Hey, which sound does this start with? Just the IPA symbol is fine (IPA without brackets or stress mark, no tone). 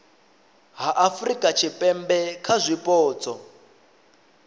ɦ